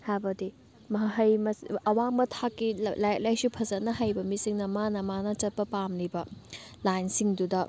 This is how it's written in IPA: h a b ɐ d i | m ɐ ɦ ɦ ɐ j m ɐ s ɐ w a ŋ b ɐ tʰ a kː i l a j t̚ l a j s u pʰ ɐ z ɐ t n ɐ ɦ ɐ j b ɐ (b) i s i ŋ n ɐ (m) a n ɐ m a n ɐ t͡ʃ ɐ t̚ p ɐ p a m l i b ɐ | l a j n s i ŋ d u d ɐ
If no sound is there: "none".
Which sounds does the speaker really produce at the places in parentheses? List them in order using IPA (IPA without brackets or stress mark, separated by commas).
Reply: m, m